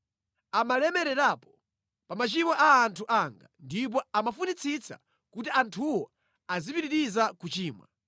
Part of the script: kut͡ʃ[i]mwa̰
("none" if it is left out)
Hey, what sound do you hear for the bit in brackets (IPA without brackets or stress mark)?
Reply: iː